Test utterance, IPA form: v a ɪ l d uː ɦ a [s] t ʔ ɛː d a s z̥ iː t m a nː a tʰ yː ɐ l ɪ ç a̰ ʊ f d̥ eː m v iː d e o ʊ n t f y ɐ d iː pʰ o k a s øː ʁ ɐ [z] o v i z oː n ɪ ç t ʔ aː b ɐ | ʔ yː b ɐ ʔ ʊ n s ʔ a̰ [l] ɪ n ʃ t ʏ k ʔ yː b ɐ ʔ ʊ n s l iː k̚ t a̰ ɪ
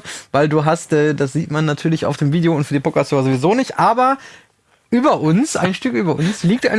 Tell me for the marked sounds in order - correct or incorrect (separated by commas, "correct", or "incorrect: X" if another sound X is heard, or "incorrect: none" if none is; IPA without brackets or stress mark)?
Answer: correct, correct, incorrect: none